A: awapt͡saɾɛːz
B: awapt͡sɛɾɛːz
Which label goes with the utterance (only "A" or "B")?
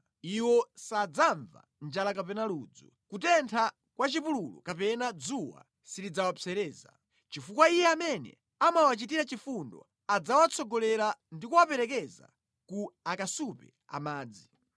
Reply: B